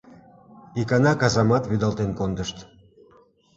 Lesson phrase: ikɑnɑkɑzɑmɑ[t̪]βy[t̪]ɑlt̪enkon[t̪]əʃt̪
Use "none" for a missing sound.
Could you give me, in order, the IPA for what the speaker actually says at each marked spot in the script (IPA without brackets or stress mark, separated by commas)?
t̪, d̪, d̪